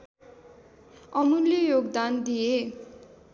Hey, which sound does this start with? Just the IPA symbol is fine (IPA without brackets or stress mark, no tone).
ʌ